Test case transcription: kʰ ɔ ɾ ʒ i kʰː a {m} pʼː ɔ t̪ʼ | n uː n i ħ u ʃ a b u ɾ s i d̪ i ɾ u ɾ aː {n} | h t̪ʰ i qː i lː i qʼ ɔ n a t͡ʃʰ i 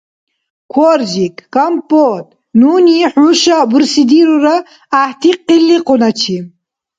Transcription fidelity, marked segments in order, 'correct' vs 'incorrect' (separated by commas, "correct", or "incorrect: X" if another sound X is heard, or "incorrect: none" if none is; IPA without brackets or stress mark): correct, incorrect: none